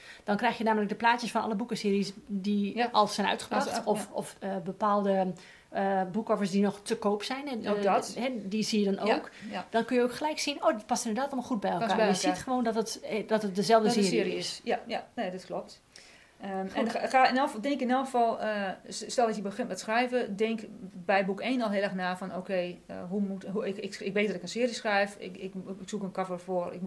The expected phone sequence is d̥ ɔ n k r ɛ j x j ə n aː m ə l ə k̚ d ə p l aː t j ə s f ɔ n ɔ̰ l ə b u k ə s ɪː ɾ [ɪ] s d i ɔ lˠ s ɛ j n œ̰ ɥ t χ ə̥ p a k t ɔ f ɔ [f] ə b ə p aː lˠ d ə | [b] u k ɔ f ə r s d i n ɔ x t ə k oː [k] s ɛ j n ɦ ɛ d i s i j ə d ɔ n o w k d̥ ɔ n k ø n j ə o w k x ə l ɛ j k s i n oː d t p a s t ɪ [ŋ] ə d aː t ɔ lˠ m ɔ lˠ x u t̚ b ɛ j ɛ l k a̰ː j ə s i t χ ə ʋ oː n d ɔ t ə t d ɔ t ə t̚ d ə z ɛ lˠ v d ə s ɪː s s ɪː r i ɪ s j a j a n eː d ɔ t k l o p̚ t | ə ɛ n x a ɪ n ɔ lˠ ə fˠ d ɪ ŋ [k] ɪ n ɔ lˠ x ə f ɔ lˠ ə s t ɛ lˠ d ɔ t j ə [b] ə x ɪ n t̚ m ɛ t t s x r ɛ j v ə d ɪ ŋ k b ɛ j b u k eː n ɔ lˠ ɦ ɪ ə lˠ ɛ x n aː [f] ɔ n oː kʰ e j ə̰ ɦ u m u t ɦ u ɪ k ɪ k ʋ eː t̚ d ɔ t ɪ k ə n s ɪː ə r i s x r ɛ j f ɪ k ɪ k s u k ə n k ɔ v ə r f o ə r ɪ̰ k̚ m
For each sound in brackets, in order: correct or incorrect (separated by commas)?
incorrect, correct, correct, incorrect, incorrect, correct, correct, correct